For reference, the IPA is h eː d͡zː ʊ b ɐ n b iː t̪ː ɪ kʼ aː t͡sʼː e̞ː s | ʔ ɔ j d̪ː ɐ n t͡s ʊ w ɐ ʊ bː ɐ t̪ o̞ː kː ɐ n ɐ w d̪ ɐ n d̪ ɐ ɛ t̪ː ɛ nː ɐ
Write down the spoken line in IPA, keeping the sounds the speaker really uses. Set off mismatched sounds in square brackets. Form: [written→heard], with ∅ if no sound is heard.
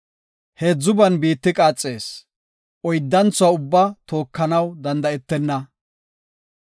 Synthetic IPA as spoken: h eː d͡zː ʊ b ɐ n b iː t̪ː ɪ kʼ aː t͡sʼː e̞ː s | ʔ ɔ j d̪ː ɐ n t͡s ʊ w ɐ ʊ bː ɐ t̪ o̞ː kː ɐ n ɐ w d̪ ɐ n d̪ ɐ ɛ t̪ː ɛ nː ɐ